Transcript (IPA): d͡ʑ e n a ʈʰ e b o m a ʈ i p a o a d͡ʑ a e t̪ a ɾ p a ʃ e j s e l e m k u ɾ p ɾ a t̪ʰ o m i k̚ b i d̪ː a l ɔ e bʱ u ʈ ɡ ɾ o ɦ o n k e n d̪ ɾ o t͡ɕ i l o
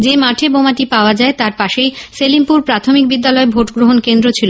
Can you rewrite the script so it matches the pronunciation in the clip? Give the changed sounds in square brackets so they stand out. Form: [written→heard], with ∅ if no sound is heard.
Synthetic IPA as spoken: d͡ʑ e [n→m] a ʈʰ e b o m a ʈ i p a o a d͡ʑ a e t̪ a ɾ p a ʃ e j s e l [e→i] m [k→p] u ɾ p ɾ a t̪ʰ o m i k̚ b i d̪ː a l ɔ e bʱ [u→o] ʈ ɡ ɾ o ɦ o n k e n d̪ ɾ o [t͡ɕ→t͡ɕʰ] i l o